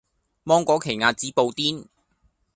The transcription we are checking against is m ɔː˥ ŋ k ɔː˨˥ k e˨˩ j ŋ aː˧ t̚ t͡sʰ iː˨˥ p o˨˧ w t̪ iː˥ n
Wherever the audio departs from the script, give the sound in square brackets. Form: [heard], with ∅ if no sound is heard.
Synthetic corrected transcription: m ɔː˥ ŋ k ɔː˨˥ [kʰ] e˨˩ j ŋ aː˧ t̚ [t͡s] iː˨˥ p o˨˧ w t̪ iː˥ n